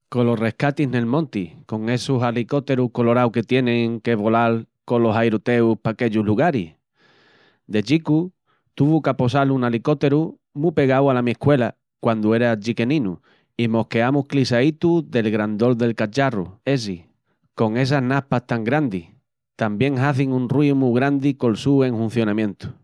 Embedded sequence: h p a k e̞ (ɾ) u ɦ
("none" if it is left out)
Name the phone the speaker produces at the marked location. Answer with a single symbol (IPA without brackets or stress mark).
ʎ